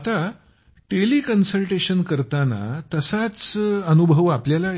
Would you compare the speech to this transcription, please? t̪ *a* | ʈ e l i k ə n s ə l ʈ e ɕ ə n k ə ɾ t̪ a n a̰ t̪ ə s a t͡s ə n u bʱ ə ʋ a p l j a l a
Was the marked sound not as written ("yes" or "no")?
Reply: no